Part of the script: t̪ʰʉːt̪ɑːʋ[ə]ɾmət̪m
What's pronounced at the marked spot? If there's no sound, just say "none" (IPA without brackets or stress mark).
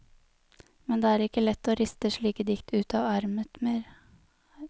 ɑ